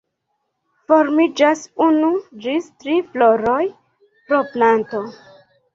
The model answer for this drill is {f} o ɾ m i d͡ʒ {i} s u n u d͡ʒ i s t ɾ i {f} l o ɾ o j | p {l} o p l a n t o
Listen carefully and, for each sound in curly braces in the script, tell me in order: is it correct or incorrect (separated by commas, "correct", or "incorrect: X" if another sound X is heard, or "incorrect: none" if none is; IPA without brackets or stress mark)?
correct, incorrect: a, correct, incorrect: ɾ